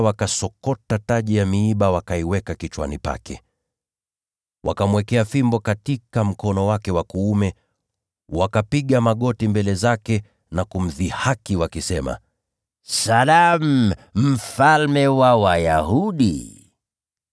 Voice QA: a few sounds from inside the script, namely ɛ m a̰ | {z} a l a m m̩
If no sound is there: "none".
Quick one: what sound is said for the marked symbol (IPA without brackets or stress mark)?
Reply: s